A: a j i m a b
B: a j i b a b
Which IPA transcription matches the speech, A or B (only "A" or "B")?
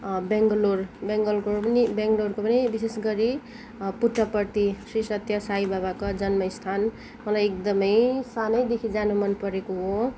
B